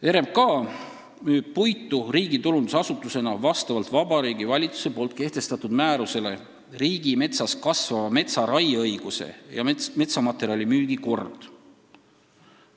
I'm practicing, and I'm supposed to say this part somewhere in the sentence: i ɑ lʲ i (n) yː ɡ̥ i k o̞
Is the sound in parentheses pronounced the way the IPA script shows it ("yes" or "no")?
no